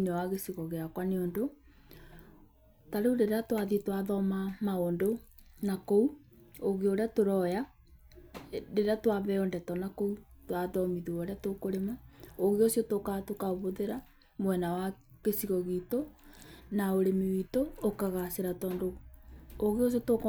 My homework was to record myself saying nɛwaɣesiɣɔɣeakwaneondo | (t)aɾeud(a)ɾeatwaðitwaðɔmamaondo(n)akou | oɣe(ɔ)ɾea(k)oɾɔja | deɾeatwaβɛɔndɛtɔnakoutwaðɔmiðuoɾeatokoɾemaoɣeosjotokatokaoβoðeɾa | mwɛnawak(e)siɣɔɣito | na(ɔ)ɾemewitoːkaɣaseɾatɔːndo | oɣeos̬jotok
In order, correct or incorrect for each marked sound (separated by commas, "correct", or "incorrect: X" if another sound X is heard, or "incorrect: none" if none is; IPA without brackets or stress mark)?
correct, incorrect: e, correct, incorrect: o, incorrect: t, correct, incorrect: o